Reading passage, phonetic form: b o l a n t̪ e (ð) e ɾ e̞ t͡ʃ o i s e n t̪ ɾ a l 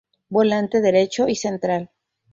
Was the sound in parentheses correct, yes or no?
yes